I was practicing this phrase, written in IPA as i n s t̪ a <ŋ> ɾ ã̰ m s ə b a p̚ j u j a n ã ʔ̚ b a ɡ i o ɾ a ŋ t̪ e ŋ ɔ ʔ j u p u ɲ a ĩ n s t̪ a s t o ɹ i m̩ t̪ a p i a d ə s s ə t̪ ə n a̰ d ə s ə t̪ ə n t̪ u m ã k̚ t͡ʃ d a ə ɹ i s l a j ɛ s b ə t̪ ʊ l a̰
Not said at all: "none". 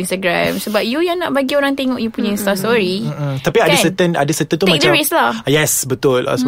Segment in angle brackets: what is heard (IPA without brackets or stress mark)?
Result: ɡ